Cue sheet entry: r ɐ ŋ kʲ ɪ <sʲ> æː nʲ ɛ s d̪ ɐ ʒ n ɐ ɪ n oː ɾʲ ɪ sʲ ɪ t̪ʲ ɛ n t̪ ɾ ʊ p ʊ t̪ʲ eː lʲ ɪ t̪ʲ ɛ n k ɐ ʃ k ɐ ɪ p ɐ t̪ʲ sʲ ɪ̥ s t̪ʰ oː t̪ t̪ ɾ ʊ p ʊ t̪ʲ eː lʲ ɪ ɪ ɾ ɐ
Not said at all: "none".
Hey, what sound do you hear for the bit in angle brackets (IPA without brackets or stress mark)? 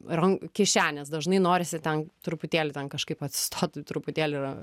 ʃʲ